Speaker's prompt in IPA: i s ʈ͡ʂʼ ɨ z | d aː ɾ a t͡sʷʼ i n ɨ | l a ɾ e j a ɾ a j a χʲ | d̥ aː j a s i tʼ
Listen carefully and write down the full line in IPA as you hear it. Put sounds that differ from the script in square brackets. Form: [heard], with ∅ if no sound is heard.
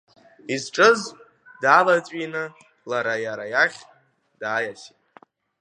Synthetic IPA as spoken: i [z] ʈ͡ʂʼ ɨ z | d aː [l] a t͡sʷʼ i n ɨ | l a ɾ [a] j a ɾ a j a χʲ | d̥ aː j a s i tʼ